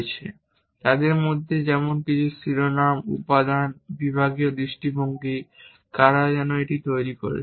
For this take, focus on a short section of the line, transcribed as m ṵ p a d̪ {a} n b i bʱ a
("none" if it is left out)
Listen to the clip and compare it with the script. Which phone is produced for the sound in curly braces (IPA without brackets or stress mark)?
a